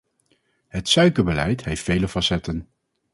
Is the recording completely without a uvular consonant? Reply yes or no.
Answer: yes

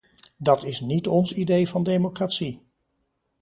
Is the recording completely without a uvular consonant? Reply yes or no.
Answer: yes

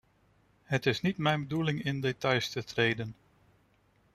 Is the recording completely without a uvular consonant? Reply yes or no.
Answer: yes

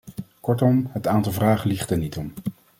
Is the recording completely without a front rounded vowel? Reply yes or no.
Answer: yes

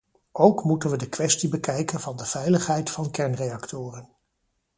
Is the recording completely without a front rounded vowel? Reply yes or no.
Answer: yes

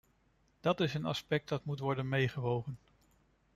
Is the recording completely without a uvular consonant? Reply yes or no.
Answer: no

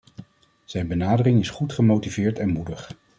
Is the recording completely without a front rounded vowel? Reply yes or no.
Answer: yes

